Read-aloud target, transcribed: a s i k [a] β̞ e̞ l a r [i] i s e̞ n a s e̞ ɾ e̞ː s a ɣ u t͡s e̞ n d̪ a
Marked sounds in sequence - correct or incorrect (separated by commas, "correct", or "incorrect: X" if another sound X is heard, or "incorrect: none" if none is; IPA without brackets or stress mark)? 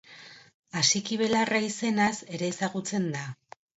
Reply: incorrect: i, incorrect: a